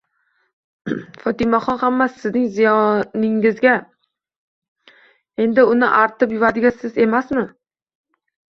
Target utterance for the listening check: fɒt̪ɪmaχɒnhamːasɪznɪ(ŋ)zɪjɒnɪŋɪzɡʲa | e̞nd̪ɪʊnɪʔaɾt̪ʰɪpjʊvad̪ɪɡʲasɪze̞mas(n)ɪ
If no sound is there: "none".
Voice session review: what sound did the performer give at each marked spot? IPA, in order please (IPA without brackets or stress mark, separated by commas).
ŋ, m